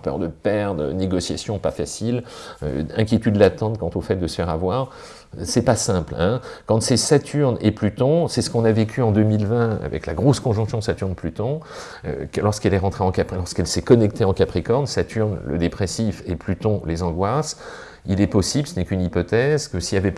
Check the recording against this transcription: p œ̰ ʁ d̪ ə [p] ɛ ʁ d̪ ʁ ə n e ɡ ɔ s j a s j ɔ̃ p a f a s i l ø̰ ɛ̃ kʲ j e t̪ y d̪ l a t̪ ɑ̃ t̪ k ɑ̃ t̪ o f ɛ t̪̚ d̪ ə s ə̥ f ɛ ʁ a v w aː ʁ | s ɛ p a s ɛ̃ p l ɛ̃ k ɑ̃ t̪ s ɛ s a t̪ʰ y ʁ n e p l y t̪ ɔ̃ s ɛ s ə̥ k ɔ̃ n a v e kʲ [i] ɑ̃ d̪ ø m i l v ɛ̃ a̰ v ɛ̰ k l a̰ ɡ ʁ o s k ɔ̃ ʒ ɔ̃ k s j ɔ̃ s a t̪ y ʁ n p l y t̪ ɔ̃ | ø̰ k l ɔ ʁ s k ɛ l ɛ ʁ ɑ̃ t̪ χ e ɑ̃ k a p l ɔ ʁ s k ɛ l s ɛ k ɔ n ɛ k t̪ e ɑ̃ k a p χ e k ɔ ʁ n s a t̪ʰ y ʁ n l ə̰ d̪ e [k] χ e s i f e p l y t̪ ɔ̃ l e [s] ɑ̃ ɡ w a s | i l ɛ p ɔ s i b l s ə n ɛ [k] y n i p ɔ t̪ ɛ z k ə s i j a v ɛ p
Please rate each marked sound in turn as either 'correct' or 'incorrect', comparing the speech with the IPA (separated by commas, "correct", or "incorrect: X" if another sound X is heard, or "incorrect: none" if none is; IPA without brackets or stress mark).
correct, incorrect: y, incorrect: p, incorrect: z, correct